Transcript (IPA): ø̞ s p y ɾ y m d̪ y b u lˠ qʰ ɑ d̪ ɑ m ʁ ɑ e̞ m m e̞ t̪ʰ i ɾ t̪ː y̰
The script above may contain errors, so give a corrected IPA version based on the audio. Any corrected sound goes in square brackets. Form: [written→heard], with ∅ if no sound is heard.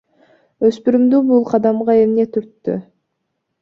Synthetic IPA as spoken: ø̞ s p y ɾ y m d̪ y b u lˠ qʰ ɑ d̪ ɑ m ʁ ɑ e̞ m [m→n] e̞ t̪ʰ [i→y] ɾ t̪ː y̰